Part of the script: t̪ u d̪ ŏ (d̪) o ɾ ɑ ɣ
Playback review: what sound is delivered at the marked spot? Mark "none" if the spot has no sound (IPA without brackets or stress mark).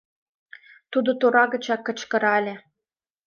t̪